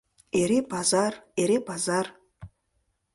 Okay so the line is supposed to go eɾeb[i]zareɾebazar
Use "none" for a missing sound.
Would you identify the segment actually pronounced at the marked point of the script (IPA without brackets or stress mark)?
a